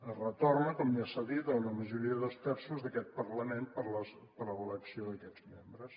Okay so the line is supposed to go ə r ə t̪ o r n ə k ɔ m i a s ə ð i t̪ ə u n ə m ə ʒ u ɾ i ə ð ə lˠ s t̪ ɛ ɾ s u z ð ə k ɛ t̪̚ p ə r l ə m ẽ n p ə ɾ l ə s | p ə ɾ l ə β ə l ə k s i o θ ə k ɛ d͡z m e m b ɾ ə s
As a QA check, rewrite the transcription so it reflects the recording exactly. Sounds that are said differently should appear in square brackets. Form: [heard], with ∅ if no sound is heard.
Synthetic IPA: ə r ə t̪ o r n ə k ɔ m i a s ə ð i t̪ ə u n ə m ə ʒ u ɾ i ə ð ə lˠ s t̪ ɛ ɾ s u z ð ə k ɛ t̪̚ p ə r l ə m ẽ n p ə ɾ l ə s | p ə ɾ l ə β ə l ə k s i o [ð] ə k ɛ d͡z m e m b ɾ ə s